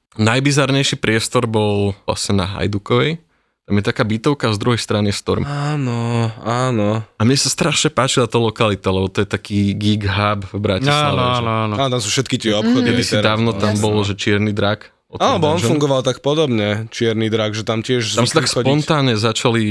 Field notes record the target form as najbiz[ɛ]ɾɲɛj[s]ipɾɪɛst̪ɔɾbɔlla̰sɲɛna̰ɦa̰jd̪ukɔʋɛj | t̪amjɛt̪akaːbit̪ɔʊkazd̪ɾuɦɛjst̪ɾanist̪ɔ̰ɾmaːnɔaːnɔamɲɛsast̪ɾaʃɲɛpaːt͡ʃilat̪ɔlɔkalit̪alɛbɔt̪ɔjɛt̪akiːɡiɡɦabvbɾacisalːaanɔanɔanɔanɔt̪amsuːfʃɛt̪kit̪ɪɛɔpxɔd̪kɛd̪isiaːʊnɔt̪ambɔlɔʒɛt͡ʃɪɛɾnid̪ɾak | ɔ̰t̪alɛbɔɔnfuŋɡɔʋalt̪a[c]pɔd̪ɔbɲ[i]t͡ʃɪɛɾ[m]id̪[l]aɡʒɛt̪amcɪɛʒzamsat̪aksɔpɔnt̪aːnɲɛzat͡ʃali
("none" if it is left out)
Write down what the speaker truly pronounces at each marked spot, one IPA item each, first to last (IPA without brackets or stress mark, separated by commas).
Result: a, ʃ, k, ɛ, n, ɾ